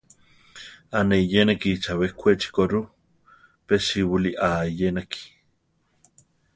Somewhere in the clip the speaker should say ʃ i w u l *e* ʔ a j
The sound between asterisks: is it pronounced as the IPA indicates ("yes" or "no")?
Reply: no